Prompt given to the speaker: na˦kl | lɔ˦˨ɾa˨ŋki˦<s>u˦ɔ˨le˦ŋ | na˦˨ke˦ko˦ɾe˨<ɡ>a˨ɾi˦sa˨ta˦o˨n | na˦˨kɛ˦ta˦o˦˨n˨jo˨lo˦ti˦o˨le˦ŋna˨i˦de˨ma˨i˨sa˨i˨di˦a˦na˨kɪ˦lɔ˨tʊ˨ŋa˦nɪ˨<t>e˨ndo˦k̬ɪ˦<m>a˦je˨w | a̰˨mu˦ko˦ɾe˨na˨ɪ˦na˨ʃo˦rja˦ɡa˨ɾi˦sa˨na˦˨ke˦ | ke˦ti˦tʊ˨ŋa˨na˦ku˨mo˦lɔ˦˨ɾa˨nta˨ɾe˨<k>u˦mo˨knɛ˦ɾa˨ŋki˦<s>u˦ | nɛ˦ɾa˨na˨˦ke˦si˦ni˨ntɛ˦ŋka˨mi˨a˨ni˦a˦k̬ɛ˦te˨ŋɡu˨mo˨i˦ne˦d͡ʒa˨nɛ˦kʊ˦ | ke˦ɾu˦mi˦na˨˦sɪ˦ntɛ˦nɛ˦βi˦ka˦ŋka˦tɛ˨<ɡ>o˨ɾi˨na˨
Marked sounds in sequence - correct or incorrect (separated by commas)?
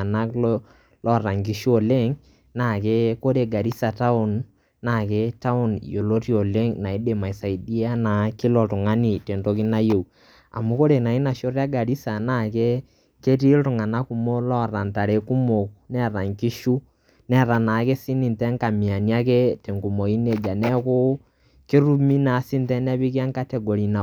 incorrect, correct, correct, incorrect, correct, incorrect, correct